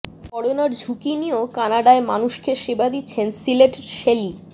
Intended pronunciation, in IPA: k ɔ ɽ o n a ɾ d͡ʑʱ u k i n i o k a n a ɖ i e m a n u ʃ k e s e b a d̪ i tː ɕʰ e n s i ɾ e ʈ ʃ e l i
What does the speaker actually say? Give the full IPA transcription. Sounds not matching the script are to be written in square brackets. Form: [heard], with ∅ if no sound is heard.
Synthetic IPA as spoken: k ɔ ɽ o n a ɾ d͡ʑʱ u k i n i o k a n a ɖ [a] e m a n u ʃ k e [ʃ] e b a d̪ i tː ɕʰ e n s i [l] e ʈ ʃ e l i